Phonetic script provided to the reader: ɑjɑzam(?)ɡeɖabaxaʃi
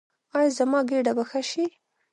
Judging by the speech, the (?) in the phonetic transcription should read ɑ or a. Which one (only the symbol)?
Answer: ɑ